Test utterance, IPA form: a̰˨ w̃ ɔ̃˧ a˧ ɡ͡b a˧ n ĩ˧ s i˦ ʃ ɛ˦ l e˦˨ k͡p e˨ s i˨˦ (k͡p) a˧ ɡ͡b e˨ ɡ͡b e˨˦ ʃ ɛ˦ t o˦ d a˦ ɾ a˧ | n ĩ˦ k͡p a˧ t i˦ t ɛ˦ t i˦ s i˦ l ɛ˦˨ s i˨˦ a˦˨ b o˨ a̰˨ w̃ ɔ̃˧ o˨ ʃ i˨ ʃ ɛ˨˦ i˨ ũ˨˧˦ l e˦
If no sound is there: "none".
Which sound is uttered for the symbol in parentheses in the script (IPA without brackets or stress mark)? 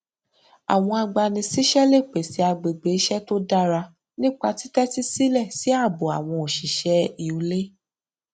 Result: none